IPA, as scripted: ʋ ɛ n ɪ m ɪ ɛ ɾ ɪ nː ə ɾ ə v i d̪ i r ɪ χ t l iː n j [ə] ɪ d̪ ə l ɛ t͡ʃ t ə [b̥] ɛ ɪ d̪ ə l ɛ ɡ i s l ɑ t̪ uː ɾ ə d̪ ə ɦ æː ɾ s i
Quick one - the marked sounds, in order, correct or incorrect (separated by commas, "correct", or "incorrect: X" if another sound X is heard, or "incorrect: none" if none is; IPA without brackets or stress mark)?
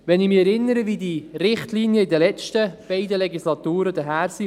correct, correct